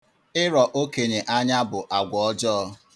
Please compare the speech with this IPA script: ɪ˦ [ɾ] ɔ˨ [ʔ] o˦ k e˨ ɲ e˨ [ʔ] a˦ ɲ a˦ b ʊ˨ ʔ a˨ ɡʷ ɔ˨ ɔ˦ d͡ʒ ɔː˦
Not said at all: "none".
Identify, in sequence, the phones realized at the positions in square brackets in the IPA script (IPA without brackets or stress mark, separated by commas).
ɾ, ʔ, ʔ